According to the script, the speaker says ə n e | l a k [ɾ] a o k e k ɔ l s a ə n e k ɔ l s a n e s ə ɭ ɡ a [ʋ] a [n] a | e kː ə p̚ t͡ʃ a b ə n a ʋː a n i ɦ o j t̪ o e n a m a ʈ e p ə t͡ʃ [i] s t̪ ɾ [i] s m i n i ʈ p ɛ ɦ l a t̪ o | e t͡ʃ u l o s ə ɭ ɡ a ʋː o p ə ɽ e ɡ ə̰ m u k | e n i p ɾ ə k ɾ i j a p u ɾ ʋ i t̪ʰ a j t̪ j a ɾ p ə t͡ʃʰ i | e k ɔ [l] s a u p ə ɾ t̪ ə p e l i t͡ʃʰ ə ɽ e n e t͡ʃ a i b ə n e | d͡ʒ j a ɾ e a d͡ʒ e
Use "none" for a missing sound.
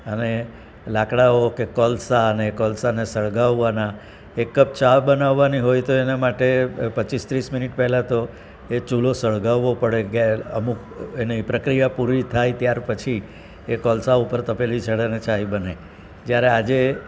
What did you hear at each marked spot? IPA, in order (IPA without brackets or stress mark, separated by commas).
ɽ, ʋː, n, i, i, l